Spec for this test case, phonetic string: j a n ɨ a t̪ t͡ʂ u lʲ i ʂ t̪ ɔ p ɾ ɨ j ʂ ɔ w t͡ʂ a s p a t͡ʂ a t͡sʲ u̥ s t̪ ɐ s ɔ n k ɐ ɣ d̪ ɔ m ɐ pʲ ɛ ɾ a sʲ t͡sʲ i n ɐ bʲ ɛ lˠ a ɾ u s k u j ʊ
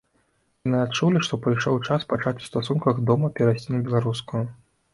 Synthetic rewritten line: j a n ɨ a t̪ t͡ʂ u lʲ i ʂ t̪ ɔ p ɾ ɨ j ʂ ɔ w t͡ʂ a s p a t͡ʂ a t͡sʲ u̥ s t̪ a s u n k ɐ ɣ d̪ ɔ m ɐ pʲ ɛ ɾ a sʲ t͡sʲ i n ɐ bʲ ɛ lˠ a ɾ u s k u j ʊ